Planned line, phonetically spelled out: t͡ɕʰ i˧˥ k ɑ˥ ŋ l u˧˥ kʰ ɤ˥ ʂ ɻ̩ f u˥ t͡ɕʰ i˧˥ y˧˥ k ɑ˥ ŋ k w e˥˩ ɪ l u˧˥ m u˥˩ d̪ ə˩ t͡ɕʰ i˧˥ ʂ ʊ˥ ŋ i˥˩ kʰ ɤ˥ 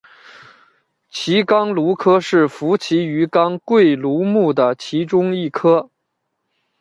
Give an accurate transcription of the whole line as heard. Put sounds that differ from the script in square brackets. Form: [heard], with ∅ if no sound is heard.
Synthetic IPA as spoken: t͡ɕʰ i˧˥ k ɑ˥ ŋ l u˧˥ kʰ ɤ˥ ʂ ɻ̩ f [u˧˥] t͡ɕʰ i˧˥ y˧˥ k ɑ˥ ŋ k w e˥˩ ɪ l u˧˥ m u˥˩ d̪ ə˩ t͡ɕʰ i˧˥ [ʈ͡ʂ] ʊ˥ ŋ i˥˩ kʰ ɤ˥